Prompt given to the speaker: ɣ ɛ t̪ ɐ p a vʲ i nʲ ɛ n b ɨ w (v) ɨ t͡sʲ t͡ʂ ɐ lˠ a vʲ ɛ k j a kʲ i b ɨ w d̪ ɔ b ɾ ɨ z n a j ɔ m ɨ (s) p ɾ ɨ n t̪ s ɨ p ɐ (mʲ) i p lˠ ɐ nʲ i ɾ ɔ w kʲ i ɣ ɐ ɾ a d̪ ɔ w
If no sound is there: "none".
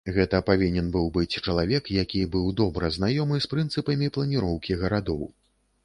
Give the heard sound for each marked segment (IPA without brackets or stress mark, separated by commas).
b, s, mʲ